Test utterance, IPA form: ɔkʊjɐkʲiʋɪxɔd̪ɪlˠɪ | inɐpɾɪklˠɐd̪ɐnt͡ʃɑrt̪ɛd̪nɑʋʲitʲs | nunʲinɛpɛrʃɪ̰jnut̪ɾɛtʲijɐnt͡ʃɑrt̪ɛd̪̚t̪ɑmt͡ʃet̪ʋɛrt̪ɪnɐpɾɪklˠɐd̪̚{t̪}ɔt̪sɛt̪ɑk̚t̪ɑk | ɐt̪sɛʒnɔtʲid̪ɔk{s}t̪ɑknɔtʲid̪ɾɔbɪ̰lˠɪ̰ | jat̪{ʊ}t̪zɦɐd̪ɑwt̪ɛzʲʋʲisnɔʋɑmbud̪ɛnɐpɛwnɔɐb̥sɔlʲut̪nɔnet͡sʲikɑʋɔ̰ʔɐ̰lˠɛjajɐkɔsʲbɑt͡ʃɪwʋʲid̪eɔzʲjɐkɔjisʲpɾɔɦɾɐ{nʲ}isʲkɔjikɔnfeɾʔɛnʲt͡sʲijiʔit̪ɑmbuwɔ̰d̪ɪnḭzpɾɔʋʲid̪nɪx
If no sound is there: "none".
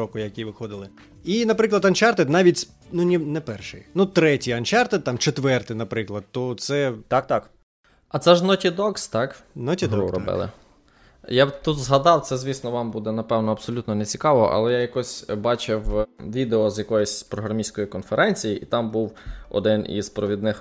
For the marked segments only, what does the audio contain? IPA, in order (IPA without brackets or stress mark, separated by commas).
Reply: t̪, s, u, mʲ